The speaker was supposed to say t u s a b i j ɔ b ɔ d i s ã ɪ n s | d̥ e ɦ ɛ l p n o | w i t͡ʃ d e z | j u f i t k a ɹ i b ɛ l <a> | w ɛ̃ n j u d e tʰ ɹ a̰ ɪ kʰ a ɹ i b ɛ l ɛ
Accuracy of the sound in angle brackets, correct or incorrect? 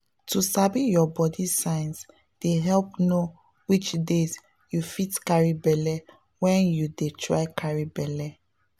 incorrect: ɛ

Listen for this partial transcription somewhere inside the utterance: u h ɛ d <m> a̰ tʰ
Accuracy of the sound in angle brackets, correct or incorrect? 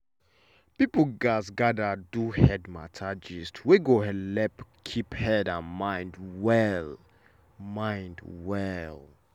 correct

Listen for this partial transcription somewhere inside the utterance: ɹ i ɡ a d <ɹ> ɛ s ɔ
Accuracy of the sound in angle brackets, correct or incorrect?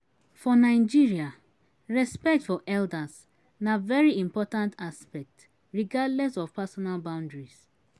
incorrect: l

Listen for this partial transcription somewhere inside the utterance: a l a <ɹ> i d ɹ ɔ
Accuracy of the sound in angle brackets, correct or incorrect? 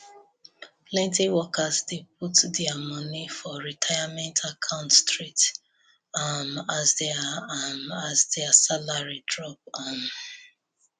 correct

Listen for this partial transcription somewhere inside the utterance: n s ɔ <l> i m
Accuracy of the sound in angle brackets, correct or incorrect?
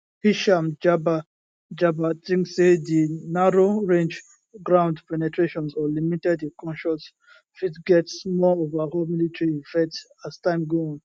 correct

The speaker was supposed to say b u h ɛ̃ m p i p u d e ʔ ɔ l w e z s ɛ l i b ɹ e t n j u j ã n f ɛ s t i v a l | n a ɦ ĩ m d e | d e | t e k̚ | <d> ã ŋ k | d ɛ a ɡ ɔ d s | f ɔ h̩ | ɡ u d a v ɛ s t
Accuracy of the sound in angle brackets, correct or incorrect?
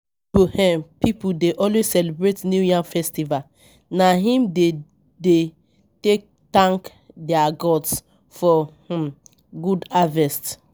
incorrect: t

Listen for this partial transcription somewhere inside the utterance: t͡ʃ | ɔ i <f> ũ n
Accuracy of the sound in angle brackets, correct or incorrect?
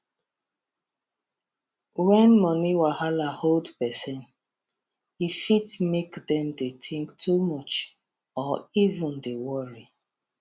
incorrect: v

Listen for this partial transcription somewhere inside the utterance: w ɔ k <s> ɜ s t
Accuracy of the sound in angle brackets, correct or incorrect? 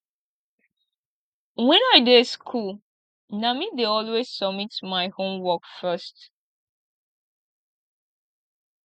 incorrect: f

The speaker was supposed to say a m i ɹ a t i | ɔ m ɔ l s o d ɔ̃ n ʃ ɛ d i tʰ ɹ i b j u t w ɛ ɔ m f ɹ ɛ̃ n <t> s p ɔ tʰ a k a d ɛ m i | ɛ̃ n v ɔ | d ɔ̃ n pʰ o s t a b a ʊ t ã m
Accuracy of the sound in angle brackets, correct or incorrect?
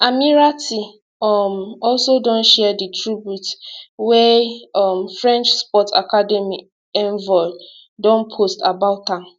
incorrect: t͡ʃ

